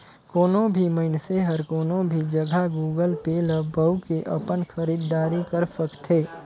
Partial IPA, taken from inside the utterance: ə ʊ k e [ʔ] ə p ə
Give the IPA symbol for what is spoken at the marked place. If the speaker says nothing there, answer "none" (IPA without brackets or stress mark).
ʔ